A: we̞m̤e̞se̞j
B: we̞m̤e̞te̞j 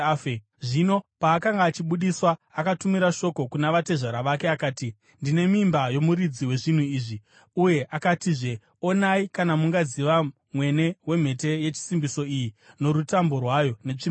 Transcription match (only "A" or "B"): B